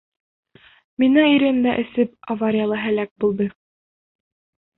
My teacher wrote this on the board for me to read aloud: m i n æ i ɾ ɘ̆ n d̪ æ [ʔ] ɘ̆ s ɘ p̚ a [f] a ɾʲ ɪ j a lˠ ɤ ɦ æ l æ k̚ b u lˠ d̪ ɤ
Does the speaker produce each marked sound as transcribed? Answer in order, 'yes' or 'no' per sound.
yes, no

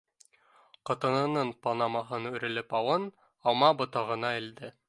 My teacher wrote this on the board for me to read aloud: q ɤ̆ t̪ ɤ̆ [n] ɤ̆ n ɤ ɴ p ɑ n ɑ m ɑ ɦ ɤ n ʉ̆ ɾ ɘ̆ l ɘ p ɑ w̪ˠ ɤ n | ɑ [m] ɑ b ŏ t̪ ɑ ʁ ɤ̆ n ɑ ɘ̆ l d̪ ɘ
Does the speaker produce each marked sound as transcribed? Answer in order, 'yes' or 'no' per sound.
yes, yes

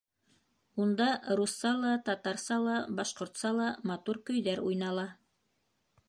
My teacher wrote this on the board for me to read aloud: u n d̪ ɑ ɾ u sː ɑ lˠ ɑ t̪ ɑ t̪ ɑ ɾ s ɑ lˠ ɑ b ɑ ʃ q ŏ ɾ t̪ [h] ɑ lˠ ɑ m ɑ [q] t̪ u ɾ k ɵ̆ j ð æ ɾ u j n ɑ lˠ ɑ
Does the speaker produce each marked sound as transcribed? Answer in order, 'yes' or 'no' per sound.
no, no

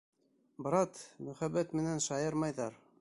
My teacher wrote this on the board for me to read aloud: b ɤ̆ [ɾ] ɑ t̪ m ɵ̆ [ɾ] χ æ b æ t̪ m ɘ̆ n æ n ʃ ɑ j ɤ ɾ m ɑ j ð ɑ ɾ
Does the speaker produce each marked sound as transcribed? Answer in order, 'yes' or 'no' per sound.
yes, no

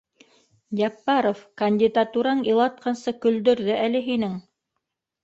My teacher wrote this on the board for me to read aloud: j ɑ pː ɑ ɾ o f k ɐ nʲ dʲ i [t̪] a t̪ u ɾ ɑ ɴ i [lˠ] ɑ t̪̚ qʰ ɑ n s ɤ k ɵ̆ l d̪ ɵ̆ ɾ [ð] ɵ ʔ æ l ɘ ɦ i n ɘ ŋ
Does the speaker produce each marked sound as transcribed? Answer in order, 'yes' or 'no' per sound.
no, yes, yes

